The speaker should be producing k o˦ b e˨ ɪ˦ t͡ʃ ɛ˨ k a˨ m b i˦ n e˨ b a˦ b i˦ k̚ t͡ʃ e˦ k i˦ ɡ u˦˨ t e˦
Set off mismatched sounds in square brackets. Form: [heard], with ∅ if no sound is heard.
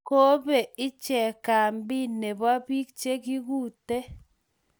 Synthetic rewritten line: k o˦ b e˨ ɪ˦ t͡ʃ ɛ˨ k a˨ m b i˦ n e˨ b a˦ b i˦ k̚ t͡ʃ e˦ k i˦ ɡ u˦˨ t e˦